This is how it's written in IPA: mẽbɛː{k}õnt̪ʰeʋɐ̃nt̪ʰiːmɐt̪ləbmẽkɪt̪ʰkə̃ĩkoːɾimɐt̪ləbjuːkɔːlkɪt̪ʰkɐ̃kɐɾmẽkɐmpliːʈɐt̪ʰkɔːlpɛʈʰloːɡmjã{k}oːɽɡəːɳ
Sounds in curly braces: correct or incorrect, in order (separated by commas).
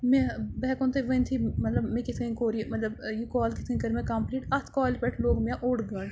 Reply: correct, incorrect